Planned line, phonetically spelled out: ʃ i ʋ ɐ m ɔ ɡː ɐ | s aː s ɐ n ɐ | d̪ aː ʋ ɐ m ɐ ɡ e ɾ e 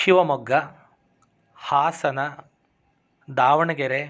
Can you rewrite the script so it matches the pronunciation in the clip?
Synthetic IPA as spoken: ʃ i ʋ ɐ m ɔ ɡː ɐ | h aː s ɐ n ɐ | d̪ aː ʋ ɐ ɳ ɐ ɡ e ɾ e